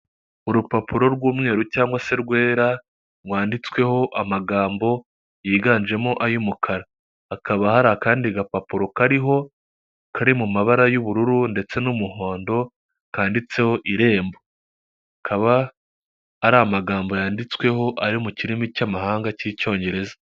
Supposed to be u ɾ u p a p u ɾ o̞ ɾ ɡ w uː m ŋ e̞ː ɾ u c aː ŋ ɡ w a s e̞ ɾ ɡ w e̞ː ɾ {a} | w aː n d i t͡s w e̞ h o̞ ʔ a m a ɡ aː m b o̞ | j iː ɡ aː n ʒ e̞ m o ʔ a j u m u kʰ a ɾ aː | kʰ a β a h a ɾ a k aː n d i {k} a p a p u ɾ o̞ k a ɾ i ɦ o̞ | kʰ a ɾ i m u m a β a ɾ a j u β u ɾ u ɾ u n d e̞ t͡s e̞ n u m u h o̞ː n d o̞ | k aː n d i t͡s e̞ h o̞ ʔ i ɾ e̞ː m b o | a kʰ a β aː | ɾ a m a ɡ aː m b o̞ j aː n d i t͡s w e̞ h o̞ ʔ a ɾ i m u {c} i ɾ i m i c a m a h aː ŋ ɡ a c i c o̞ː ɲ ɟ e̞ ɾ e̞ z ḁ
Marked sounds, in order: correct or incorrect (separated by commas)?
correct, incorrect, correct